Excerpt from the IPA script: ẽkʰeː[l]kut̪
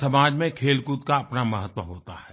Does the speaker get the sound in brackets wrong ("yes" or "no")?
no